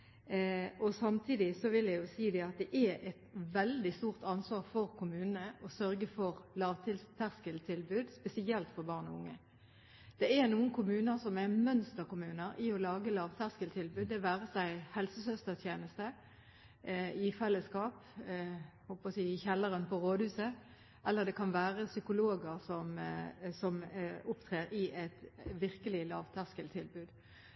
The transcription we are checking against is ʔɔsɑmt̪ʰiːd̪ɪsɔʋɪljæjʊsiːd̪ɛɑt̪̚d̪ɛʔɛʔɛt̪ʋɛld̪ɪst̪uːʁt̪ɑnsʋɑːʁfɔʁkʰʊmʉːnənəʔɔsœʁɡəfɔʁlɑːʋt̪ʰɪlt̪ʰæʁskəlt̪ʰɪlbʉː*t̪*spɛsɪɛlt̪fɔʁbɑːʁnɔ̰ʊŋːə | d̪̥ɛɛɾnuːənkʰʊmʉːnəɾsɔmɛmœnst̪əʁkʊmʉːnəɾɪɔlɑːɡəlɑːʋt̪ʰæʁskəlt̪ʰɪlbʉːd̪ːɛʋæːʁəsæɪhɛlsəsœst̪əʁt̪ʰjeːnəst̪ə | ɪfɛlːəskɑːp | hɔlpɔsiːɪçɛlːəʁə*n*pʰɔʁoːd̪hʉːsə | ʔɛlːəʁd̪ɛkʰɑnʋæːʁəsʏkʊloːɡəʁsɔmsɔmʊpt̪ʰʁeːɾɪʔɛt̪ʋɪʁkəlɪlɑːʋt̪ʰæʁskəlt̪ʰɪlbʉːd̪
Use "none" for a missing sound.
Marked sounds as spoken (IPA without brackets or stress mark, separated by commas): d̪, n